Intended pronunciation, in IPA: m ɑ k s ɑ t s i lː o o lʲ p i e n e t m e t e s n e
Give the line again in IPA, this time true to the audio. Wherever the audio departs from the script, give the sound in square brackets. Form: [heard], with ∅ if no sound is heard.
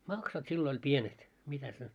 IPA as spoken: m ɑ k s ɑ t s i lː o o lʲ p i e n e t m [i] t [æ] s n e